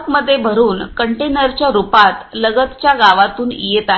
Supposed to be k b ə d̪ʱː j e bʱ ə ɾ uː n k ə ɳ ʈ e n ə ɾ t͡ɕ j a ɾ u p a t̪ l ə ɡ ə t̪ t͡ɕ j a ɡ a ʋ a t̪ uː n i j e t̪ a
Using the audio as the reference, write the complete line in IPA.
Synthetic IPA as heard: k m ə d̪ʱː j e bʱ ə ɾ uː n k ə ɳ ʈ e n ə ɾ t͡ɕ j a ɾ u p a t̪ l ə ɡ ə t̪ t͡ɕ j a ɡ a ʋ a t̪ uː n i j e t̪ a